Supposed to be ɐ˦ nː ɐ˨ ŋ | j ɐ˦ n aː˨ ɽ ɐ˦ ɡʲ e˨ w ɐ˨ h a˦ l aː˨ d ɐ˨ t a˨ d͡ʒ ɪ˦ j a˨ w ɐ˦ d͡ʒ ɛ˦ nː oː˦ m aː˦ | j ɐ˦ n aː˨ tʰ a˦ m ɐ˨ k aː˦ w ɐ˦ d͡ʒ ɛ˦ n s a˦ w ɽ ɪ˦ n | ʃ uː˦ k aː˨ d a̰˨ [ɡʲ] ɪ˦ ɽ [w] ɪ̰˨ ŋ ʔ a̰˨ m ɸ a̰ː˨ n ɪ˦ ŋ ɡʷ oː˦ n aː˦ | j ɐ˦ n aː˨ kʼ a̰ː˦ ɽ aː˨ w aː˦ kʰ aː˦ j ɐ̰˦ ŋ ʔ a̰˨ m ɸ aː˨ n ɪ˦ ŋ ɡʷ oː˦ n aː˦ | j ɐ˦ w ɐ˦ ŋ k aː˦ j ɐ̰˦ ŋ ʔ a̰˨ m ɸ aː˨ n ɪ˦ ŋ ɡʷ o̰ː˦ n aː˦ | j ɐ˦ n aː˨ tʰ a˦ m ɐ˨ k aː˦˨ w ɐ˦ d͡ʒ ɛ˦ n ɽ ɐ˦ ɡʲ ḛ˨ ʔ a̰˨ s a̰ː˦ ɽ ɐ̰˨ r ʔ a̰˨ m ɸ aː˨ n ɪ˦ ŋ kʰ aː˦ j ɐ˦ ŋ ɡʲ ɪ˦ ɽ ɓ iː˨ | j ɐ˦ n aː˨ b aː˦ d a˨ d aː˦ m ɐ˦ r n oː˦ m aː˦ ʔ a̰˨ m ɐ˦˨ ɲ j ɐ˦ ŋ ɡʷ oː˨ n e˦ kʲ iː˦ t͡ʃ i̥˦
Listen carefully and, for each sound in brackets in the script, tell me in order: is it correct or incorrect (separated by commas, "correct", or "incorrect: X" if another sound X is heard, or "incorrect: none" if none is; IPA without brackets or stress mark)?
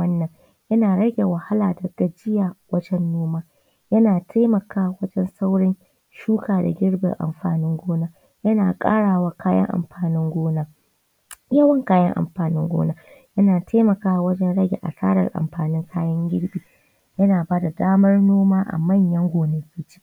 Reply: correct, incorrect: b